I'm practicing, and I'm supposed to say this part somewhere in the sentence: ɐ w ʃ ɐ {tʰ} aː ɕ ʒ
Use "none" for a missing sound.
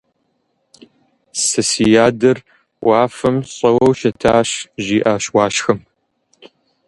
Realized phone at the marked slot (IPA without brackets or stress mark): tʰ